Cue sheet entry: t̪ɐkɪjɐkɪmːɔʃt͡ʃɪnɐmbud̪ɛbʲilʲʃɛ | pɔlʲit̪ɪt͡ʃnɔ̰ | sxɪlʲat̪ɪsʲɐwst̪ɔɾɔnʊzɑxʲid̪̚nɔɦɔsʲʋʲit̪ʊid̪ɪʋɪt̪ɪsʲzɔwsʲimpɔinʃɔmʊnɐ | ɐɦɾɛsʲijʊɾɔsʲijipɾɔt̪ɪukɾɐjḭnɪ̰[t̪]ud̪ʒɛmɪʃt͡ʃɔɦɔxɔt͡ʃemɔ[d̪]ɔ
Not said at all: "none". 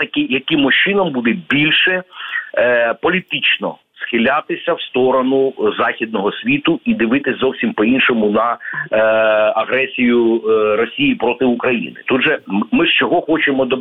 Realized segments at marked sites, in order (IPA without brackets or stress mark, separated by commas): t̪, d̪